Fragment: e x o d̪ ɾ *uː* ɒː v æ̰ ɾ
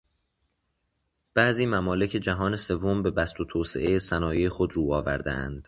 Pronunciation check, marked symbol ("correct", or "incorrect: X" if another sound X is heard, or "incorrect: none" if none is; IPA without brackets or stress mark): correct